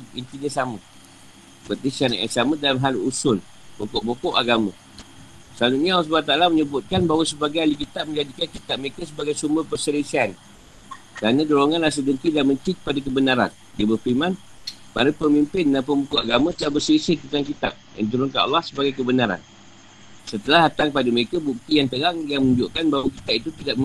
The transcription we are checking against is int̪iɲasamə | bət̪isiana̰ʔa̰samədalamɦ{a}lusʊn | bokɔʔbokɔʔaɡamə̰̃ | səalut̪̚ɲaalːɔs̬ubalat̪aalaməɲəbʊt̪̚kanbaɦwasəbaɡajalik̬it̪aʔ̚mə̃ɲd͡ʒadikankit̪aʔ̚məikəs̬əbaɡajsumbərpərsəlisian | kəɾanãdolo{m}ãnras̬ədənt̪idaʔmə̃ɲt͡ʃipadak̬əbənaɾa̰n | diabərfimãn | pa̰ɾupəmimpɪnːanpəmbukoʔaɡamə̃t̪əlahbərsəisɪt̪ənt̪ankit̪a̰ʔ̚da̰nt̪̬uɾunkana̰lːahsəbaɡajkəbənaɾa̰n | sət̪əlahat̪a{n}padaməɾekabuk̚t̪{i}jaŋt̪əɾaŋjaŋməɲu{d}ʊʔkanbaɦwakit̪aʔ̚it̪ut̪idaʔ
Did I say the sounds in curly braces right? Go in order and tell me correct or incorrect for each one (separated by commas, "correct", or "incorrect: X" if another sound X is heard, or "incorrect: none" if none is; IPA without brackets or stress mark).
correct, incorrect: ŋ, incorrect: ŋ, correct, incorrect: d͡ʒ